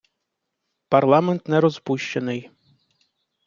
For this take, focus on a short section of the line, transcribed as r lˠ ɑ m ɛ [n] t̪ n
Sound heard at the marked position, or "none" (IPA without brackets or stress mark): n